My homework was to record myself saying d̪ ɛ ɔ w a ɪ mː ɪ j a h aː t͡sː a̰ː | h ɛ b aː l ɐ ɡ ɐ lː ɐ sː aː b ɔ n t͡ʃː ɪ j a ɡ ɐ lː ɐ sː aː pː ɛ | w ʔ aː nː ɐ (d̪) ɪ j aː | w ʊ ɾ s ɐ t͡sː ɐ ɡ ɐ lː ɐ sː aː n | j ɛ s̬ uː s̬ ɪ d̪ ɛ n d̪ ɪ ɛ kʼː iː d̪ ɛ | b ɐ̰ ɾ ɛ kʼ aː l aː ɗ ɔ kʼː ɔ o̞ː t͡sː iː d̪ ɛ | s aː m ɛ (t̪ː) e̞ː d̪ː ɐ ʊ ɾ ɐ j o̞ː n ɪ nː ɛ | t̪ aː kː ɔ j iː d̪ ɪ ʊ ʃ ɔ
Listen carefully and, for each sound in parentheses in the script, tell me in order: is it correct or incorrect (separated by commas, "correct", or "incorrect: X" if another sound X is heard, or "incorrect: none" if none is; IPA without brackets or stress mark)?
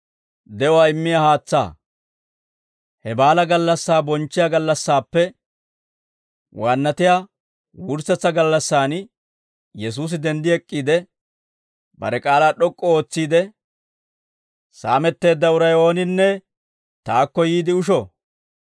incorrect: t̪, correct